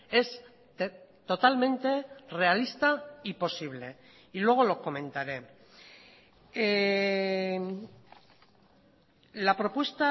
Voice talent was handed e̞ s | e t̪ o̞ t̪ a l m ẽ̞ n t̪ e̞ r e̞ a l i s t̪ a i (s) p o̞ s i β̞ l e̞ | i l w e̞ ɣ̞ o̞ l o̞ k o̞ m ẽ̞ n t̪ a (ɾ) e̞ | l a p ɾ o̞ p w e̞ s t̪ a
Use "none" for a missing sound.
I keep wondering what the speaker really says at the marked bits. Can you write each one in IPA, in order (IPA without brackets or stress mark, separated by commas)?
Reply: none, ɾ